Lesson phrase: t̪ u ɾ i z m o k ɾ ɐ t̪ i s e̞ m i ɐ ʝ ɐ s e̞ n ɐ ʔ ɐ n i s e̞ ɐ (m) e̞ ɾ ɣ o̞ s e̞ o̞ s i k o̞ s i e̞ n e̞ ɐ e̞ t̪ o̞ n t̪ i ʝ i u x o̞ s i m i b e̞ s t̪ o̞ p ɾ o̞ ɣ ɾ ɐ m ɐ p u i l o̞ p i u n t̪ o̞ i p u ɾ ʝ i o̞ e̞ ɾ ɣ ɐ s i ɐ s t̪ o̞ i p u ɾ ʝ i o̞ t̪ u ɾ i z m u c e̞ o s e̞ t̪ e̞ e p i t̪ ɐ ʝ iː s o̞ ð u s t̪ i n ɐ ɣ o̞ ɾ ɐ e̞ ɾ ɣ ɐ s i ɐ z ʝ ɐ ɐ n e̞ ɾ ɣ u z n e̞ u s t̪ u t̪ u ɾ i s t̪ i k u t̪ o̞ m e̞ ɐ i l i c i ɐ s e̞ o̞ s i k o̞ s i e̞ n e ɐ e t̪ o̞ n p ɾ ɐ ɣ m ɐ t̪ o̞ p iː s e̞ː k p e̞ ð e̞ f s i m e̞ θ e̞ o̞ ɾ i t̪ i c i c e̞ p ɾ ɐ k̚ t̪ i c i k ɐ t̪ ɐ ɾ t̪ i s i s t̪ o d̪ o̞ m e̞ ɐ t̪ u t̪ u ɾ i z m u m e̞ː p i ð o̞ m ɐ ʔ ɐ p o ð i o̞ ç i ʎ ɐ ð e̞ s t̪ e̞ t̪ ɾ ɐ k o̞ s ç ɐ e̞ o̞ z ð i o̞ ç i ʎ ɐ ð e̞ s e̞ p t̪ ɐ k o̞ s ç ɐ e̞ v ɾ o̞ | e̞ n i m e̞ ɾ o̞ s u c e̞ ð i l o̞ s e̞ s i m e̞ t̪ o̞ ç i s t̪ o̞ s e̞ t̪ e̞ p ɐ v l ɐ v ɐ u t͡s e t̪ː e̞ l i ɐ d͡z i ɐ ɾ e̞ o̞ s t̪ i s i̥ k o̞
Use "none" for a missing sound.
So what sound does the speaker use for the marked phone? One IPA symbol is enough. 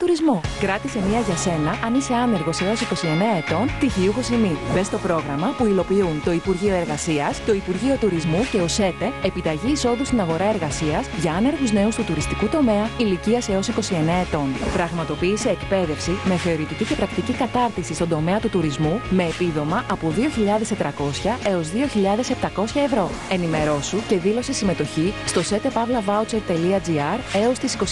n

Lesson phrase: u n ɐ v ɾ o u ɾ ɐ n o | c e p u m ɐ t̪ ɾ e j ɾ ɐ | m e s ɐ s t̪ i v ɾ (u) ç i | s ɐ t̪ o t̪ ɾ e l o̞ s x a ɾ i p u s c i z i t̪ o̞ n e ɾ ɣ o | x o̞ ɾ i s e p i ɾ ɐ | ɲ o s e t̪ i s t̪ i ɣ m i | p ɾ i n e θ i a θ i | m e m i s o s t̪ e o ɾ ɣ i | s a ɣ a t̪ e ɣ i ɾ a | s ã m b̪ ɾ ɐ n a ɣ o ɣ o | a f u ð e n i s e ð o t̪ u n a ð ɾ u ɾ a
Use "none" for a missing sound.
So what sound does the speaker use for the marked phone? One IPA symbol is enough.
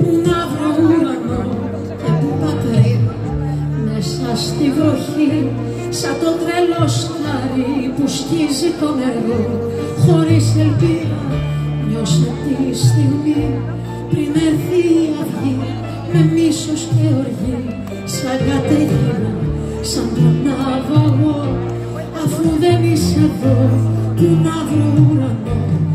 o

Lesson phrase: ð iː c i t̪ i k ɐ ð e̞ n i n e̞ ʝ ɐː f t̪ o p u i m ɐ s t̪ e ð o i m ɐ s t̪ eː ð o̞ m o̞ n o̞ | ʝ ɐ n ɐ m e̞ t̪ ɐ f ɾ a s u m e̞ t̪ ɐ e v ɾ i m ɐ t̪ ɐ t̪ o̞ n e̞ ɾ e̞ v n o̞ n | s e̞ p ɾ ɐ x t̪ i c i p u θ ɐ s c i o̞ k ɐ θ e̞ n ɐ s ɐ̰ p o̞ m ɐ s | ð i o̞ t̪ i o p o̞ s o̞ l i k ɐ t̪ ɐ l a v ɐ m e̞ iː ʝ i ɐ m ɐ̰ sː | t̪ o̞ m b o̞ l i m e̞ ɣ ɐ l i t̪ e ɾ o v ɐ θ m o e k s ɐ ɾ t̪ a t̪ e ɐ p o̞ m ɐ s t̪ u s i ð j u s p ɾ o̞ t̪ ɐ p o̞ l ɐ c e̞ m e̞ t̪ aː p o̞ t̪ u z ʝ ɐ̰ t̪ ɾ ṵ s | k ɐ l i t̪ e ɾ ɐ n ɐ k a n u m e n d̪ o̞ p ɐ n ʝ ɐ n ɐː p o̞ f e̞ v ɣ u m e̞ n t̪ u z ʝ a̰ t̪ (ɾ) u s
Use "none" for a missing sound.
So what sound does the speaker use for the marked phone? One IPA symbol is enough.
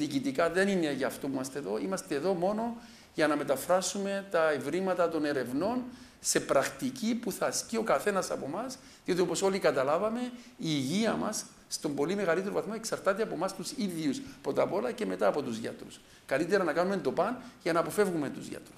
ɾ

